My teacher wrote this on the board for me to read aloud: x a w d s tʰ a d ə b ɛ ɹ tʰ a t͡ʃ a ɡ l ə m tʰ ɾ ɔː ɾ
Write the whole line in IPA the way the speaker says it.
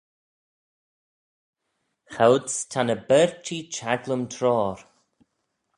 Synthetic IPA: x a w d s tʰ a n ə b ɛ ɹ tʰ i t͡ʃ a ɡ l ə m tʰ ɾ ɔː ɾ

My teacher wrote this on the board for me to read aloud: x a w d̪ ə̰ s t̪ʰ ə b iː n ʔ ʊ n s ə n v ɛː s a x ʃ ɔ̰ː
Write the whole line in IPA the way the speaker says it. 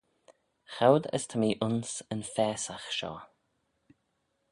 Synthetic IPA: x a w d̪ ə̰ s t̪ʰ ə m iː ʔ ʊ n s ə n f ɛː s a x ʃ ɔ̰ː

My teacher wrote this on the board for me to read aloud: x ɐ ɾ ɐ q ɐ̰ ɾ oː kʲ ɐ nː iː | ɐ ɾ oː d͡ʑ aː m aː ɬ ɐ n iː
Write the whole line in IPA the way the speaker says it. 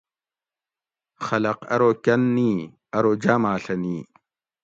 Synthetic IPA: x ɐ l ɐ q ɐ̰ ɾ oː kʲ ɐ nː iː | ɐ ɾ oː d͡ʑ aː m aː ɬ ɐ n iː

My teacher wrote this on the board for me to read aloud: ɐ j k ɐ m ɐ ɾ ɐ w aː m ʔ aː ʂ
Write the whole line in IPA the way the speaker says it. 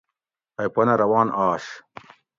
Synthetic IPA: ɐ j p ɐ n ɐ ɾ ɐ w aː n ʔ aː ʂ

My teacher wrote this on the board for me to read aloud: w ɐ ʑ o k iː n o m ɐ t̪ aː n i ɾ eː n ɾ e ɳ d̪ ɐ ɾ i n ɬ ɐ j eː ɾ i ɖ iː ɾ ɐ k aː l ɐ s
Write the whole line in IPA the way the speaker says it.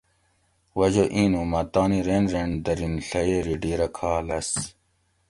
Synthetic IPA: w ɐ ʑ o ʔ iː n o m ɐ t̪ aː n i ɾ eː n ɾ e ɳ d̪ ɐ ɾ i n ɬ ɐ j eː ɾ i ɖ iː ɾ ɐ kʰ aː l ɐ s

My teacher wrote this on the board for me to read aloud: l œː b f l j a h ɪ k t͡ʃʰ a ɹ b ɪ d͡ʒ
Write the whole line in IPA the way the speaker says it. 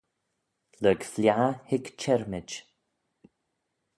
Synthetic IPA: l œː ɡ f l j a h ɪ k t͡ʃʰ ɛ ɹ m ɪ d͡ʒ

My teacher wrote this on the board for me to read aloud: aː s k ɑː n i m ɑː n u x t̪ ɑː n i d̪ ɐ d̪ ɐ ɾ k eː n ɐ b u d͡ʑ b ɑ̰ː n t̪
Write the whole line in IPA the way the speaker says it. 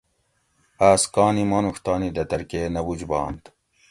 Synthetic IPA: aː s k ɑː n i m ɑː n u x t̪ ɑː n i d̪ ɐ t̪ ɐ ɾ k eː n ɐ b u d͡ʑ b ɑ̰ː n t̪

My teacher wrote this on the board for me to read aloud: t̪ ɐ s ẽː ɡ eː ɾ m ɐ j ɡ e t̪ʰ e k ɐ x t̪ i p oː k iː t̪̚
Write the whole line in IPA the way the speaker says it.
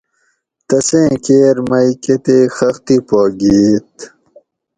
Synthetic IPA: t̪ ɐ s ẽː k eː ɾ m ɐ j k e t̪ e x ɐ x t̪ i p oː ɡ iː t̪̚

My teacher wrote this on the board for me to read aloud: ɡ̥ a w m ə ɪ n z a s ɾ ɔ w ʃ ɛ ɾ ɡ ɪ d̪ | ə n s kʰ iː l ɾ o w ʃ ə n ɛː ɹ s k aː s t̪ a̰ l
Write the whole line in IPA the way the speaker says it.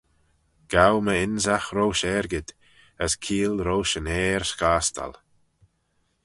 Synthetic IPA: ɡ̥ a w m ə ɪ n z a x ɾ o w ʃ ɛ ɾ ɡ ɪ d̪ | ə s kʰ iː l ɾ o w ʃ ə n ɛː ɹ s k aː s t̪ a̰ l

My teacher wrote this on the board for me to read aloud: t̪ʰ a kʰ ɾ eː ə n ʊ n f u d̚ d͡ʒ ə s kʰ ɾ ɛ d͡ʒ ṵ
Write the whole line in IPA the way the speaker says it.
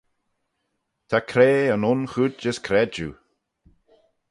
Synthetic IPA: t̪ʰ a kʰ ɾ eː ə n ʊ n x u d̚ d͡ʒ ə s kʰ ɾ ɛ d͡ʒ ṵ

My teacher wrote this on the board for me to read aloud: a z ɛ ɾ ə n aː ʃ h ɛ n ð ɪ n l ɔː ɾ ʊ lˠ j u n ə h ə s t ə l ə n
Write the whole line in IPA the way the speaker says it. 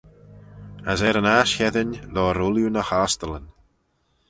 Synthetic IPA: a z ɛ ɾ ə n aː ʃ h ɛ ð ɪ n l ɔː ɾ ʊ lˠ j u n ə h a s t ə l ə n

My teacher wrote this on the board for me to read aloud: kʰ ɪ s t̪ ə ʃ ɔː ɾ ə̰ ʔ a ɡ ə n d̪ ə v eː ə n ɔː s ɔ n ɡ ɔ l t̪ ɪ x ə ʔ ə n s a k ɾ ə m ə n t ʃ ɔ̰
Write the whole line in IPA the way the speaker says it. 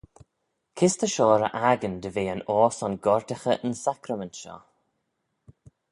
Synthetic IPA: kʰ ɪ s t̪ ə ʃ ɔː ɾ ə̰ ʔ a ɡ ə n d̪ ə v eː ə n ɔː s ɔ n ɡ ɔ ɹ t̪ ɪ x ə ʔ ə n s a k ɾ ə m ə n t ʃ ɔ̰

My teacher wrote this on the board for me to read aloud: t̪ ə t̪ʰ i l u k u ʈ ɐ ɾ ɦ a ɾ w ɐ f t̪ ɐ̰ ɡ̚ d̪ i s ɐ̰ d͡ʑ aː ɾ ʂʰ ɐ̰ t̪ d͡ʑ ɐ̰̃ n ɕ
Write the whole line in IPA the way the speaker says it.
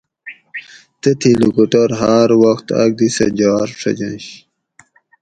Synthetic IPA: t̪ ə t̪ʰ i l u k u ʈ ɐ ɾ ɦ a ɾ w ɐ x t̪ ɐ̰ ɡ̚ d̪ i s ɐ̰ d͡ʑ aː ɾ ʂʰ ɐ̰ d͡ʑ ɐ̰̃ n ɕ

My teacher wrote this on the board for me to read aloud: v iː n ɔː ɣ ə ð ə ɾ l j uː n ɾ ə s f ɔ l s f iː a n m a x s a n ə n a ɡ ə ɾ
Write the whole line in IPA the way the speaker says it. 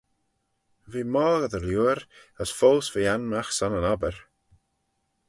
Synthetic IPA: v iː m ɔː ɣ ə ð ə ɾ l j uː ɾ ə s f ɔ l s v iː a n m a x s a n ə n a b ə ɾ

